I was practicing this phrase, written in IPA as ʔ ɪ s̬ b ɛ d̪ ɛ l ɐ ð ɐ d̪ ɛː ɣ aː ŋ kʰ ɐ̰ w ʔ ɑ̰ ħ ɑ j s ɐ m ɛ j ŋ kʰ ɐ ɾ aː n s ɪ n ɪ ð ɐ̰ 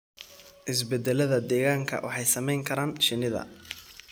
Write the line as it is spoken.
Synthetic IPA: ʔ ɪ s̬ b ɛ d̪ ɛ l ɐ ð ɐ d̪ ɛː ɣ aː ŋ kʰ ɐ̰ w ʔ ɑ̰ ħ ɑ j s ɐ m ɛ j ŋ kʰ ɐ ɾ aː n ʃ ɪ n ɪ ð ɐ̰